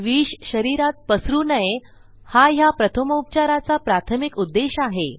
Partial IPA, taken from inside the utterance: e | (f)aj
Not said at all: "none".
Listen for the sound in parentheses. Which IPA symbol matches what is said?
h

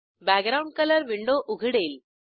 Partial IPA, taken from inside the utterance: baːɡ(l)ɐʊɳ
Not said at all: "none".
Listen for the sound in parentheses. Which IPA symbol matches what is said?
ɾ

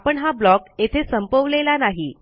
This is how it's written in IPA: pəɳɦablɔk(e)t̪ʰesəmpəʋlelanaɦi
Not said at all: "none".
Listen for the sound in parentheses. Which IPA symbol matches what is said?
e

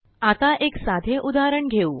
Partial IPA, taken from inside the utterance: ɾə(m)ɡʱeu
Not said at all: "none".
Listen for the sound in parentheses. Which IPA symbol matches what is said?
ɳ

